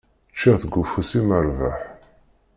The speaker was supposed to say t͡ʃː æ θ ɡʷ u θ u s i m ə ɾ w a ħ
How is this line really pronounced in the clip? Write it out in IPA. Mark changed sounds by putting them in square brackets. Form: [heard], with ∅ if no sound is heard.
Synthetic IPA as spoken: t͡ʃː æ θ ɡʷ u [f] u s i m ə ɾ [v] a ħ